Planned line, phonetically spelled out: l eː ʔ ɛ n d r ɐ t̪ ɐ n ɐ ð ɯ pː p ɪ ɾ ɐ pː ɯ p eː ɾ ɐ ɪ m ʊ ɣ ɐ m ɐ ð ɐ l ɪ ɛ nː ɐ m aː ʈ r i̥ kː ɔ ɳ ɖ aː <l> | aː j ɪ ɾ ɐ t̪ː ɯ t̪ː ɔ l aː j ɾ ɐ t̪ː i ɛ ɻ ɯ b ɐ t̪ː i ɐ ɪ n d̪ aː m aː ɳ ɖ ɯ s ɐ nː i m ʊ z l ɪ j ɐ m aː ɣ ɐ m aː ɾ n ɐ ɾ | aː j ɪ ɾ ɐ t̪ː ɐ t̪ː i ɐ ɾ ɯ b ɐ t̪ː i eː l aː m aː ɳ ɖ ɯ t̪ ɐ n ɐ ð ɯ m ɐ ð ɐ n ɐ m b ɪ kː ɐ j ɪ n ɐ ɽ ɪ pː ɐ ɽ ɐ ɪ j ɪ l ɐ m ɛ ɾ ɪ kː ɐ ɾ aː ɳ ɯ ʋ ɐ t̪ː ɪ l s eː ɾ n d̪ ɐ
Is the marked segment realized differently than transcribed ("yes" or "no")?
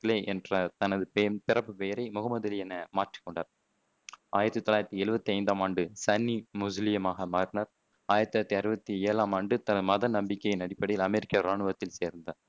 yes